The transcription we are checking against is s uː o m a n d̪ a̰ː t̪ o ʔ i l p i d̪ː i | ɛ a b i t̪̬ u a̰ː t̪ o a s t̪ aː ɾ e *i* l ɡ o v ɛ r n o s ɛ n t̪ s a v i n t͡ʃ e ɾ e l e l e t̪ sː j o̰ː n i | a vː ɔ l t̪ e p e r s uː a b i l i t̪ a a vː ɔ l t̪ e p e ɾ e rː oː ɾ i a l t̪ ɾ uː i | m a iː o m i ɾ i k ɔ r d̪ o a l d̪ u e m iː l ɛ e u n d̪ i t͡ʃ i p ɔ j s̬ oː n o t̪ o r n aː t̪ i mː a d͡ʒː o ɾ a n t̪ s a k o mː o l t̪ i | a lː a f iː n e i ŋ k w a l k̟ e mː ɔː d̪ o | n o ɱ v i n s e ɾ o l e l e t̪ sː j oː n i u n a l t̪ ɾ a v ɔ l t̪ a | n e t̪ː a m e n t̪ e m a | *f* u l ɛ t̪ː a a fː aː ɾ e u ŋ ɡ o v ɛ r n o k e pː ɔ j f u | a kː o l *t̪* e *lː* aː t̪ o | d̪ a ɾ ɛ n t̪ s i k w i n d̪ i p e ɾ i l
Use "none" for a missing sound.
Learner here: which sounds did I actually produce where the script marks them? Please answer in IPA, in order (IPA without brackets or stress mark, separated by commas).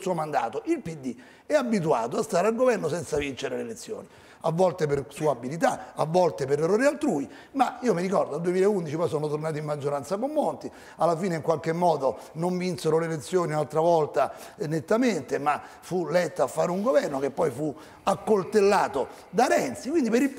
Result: a, f, t̪, lː